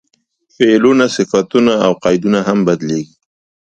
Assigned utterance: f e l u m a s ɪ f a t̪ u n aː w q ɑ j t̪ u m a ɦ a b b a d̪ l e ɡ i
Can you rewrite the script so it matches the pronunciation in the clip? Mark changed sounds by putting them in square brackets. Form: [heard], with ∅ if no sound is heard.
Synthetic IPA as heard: f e l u [n] a s ɪ f a t̪ u n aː w q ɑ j [d̪] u [n] a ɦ a [m] b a d̪ l e ɡ i